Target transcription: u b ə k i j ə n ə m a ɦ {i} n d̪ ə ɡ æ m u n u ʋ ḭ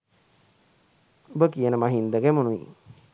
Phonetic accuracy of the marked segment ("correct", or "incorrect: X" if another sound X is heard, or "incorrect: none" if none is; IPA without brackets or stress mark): correct